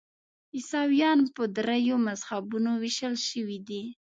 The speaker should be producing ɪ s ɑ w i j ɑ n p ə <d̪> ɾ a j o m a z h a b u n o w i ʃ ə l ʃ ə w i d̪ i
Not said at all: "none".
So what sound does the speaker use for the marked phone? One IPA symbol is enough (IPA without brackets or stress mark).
d̪